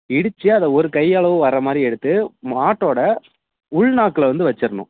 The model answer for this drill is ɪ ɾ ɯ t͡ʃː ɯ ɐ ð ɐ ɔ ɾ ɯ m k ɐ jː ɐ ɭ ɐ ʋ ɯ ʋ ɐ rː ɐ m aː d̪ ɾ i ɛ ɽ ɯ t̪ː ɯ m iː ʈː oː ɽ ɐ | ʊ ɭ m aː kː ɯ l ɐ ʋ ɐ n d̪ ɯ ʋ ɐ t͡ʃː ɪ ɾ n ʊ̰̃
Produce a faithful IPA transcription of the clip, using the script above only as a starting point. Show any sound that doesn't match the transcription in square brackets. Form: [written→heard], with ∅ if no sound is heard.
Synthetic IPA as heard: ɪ [ɾ→ɽ] ɯ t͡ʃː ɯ ɐ ð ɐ ɔ ɾ ɯ [m→∅] k ɐ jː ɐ ɭ ɐ ʋ ɯ ʋ ɐ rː ɐ m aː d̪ ɾ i ɛ ɽ ɯ t̪ː ɯ m [iː→aː] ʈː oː ɽ ɐ | ʊ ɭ [m→n] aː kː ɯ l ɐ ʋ ɐ n d̪ ɯ ʋ ɐ t͡ʃː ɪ ɾ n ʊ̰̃